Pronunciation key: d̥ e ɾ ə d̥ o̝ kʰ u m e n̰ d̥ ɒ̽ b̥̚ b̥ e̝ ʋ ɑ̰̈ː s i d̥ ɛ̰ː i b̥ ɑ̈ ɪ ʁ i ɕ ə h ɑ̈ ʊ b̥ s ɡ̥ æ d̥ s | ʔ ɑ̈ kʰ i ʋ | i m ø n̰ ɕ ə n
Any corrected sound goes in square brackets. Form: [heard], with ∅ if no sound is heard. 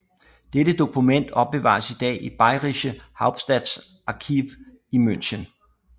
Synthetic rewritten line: d̥ e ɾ ə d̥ o̝ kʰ u m e n̰ d̥ ɒ̽ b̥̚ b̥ e̝ ʋ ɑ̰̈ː s i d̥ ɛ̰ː i b̥ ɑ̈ ɪ ʁ i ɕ ə h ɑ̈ ʊ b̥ s [d̥] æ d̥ s | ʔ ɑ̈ kʰ i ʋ | i m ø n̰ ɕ ə n